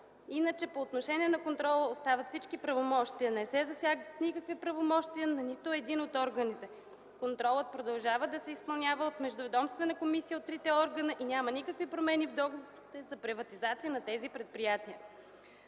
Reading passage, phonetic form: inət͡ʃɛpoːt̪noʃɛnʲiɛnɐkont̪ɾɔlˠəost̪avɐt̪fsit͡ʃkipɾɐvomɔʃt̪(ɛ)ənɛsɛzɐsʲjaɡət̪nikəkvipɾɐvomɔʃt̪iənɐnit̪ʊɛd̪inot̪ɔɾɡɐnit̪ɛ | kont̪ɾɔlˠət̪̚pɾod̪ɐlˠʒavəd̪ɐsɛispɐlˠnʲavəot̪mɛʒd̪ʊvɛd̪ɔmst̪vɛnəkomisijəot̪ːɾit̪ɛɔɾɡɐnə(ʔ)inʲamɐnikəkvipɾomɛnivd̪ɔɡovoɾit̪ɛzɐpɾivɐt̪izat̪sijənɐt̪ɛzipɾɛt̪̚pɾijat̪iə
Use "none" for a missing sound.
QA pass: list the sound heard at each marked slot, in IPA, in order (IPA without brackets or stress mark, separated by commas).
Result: i, ʔ